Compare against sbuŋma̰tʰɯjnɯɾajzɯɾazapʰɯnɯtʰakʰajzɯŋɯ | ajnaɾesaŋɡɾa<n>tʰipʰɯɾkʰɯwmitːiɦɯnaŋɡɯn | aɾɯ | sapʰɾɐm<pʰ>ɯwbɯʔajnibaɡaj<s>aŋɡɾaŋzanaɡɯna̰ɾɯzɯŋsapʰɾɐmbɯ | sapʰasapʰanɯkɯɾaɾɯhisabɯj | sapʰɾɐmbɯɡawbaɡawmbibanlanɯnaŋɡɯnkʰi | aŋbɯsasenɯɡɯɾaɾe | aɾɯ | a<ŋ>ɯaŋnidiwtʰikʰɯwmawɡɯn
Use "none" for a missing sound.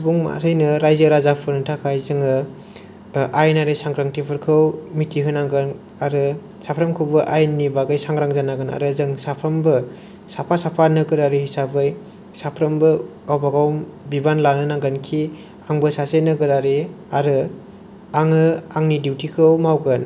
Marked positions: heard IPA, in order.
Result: ŋ, kʰ, s, ŋ

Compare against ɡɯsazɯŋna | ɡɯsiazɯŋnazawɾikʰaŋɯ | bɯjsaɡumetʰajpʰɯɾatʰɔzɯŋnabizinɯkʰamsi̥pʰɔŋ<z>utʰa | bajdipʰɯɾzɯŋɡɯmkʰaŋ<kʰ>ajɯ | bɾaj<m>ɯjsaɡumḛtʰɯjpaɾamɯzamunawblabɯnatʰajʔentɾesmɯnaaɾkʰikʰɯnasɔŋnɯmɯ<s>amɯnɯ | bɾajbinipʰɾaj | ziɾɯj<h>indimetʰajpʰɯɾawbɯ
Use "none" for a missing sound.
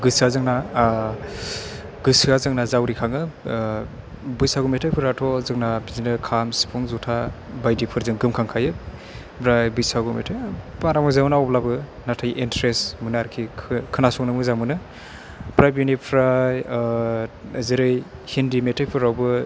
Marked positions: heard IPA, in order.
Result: z, kʰ, b, z, h

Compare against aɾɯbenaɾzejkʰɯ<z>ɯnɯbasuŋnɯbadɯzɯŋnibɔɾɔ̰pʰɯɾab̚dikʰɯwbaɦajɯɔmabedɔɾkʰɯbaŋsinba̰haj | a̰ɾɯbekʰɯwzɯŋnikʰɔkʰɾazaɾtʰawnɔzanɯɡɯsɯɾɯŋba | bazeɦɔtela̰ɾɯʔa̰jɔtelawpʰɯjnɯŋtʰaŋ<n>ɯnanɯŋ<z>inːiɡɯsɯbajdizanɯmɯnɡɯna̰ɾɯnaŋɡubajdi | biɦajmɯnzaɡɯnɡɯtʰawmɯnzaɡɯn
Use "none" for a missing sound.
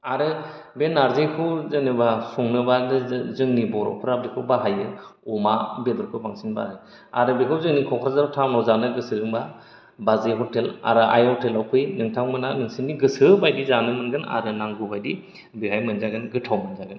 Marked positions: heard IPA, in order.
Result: z, m, s

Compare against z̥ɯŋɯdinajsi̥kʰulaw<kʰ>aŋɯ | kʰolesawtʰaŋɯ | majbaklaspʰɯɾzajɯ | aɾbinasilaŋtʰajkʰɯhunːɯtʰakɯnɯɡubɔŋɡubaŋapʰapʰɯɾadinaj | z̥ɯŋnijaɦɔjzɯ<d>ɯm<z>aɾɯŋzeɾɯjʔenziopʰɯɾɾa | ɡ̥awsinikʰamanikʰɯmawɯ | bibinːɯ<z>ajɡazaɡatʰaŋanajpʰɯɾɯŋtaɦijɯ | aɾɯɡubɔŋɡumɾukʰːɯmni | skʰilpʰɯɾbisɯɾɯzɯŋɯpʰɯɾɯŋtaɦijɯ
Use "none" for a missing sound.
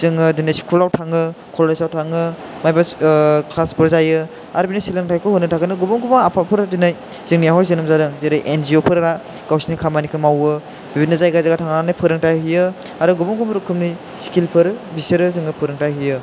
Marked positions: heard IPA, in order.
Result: tʰ, n, z, z

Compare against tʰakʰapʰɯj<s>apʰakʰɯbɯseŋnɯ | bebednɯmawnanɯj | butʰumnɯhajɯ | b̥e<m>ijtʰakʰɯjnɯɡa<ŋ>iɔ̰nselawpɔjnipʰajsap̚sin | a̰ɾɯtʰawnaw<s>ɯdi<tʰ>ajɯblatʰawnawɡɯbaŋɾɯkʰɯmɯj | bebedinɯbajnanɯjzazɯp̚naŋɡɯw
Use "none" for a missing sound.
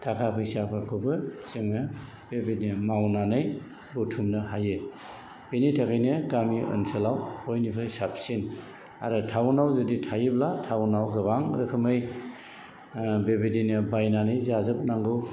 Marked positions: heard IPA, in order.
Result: s, n, m, z, tʰ

